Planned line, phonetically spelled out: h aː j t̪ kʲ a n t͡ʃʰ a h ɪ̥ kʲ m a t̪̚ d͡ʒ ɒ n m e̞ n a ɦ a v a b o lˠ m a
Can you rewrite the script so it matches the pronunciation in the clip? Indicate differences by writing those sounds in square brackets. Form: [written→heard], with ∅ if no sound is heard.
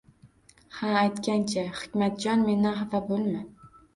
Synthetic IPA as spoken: h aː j t̪ kʲ a n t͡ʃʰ a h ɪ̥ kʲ m a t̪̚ d͡ʒ ɒ n m e̞ n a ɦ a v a b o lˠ m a